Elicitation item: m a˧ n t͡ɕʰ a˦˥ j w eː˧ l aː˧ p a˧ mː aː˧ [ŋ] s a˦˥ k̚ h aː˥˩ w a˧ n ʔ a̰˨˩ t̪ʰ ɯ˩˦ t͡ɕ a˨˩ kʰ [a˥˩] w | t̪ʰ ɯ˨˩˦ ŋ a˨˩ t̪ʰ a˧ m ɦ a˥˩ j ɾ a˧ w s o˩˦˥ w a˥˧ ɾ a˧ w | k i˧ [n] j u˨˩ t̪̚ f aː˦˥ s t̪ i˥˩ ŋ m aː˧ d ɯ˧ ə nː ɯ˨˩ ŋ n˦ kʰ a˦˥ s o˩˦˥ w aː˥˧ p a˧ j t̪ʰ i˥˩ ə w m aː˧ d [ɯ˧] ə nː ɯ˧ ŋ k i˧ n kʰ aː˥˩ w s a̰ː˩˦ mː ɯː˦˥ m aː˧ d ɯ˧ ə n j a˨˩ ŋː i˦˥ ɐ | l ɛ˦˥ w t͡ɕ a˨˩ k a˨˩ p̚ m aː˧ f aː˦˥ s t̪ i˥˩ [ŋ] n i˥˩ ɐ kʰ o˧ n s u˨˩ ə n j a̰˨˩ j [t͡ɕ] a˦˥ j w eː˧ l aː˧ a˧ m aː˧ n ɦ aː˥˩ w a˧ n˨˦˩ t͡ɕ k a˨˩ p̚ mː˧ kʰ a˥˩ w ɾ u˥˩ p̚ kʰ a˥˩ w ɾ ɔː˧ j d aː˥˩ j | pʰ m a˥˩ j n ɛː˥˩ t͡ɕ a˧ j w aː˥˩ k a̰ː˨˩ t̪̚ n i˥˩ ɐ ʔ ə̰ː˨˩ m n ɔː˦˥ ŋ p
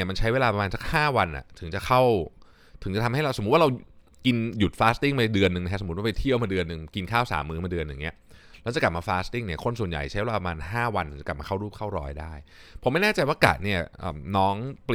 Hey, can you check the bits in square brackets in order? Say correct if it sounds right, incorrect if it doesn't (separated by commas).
incorrect, correct, correct, correct, correct, incorrect